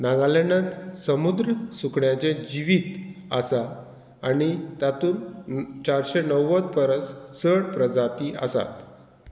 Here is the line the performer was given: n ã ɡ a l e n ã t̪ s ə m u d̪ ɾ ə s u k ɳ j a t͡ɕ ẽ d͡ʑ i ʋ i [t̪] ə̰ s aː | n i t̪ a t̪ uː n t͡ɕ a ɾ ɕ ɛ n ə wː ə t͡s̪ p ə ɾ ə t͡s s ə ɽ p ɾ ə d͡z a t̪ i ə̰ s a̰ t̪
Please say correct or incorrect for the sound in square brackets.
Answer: correct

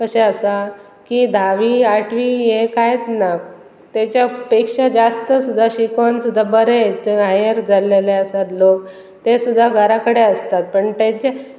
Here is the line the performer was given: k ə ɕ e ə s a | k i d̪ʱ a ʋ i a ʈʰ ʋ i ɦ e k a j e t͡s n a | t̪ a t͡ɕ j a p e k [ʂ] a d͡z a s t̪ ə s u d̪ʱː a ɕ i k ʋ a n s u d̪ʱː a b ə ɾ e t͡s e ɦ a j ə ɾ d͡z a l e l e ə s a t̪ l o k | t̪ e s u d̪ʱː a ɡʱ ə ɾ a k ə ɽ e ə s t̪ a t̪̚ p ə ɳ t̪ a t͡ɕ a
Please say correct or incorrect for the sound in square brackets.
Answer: correct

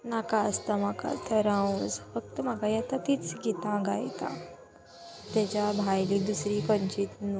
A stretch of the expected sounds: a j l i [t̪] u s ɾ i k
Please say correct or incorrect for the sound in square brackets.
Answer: incorrect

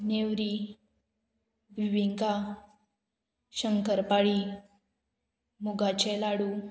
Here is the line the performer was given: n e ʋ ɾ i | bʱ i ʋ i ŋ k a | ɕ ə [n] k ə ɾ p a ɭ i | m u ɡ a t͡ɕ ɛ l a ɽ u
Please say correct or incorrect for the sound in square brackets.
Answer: incorrect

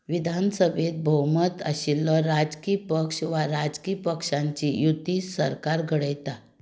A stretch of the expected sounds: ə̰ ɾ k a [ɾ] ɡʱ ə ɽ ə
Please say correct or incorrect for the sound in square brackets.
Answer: correct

